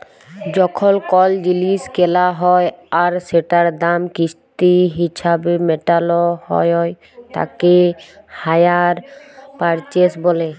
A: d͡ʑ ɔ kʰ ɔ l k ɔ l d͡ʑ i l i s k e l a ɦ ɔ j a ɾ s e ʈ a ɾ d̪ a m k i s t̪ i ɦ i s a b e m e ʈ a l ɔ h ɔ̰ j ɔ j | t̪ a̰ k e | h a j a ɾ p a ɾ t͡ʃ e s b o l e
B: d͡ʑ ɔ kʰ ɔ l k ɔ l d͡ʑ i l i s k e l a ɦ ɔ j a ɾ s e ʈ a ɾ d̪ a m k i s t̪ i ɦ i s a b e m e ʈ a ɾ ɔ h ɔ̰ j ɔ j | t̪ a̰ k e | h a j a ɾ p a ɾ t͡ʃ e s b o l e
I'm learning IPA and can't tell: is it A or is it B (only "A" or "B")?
A